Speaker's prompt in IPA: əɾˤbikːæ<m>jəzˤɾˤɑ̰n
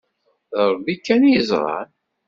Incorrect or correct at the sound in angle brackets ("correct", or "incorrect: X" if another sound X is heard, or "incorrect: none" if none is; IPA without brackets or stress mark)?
incorrect: n